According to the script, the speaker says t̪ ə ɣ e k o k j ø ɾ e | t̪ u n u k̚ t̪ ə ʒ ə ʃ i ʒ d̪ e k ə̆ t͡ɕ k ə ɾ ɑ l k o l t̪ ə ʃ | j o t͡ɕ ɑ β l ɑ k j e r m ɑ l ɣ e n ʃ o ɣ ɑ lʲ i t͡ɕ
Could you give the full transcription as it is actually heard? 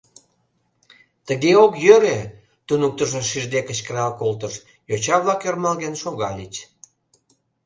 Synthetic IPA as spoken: t̪ ə ɣ e o k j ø ɾ e | t̪ u n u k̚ t̪ ə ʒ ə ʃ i ʒ d̪ e k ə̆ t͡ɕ k ə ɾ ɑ l k o l t̪ ə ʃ | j o t͡ɕ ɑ β l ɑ k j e r m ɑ l ɣ e n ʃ o ɣ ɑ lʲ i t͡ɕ